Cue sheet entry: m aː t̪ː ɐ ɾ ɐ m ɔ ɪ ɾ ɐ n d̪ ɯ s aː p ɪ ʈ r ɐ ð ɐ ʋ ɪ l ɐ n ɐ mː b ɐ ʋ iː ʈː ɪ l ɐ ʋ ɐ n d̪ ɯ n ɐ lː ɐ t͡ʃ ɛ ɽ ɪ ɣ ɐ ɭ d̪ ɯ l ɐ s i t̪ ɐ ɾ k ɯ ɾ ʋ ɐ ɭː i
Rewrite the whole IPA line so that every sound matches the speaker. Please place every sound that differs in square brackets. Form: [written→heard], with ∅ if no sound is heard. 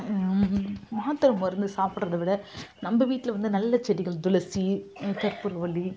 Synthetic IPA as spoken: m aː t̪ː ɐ ɾ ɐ m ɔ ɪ ɾ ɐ n d̪ ɯ s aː p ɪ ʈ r ɐ ð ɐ ʋ ɪ [l→ɽ] ɐ n ɐ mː b ɐ ʋ iː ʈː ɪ l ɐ ʋ ɐ n d̪ ɯ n ɐ lː ɐ t͡ʃ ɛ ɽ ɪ ɣ ɐ ɭ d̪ [ɯ→ʊ] l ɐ s i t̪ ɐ ɾ [k→p] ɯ ɾ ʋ ɐ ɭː i